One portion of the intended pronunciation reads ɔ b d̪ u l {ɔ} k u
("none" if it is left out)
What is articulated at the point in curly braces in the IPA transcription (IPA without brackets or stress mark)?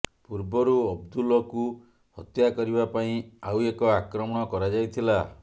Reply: ɔ